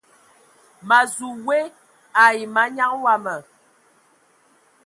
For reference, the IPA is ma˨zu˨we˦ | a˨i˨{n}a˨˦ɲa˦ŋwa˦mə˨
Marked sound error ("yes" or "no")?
yes